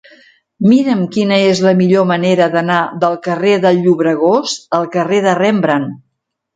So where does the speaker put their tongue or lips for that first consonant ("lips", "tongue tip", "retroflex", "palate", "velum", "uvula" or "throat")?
lips